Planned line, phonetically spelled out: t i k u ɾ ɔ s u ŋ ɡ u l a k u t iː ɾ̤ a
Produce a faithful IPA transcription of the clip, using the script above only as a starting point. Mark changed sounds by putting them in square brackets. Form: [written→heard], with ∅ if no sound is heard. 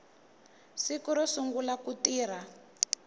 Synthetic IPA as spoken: [t→s] i k u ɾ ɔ s u ŋ ɡ u l a k u t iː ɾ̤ a